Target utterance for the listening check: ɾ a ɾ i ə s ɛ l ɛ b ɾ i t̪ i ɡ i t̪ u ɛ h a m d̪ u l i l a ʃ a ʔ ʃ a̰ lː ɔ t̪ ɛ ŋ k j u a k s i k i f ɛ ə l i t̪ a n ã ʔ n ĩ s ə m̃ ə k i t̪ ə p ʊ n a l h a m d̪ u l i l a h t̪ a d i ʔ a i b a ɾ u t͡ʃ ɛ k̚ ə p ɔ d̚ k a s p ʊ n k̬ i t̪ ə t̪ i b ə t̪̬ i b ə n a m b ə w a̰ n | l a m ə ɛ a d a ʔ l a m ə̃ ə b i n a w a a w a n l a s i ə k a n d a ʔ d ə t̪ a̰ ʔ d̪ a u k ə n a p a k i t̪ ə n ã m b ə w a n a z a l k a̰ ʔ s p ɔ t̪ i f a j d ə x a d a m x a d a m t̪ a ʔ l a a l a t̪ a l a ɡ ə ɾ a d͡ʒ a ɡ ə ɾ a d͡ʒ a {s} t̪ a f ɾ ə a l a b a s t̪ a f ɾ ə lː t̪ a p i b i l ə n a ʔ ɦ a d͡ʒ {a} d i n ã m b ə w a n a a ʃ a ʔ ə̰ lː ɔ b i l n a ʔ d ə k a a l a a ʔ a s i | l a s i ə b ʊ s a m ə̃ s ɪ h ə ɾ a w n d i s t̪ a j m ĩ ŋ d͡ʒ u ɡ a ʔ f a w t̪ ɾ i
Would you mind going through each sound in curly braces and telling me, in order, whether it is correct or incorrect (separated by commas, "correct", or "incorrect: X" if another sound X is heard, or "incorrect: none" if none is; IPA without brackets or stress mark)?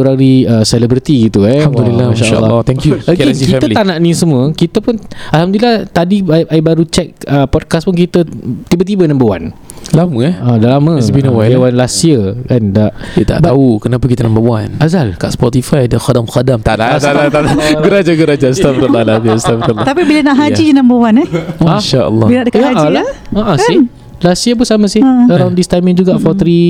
correct, incorrect: i